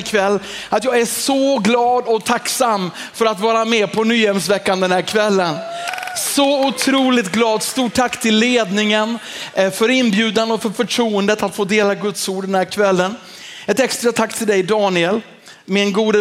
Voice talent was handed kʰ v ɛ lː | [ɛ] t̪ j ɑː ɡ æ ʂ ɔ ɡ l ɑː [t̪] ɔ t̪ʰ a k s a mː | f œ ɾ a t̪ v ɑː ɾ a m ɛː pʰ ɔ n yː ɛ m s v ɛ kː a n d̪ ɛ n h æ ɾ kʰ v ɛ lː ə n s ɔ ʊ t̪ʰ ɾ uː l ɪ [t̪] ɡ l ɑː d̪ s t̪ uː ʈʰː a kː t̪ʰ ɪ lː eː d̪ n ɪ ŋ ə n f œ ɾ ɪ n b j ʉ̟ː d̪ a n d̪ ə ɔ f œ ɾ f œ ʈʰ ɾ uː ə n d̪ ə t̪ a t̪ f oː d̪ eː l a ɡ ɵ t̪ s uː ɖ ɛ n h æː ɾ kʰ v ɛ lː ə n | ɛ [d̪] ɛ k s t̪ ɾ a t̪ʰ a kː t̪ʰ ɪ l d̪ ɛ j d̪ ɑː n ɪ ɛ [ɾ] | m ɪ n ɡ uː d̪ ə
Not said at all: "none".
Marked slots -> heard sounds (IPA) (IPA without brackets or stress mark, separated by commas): a, d̪, t̪, t̪, l